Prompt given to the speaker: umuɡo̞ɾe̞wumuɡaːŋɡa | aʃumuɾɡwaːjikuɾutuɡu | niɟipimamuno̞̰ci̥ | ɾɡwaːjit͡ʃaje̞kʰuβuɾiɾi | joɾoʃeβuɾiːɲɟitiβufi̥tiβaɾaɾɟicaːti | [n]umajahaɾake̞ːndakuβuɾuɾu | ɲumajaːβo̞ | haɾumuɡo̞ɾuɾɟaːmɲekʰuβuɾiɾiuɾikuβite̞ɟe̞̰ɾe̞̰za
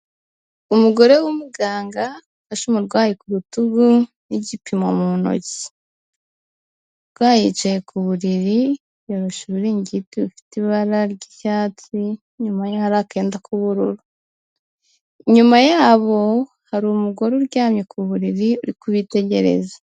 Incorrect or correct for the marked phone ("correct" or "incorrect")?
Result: incorrect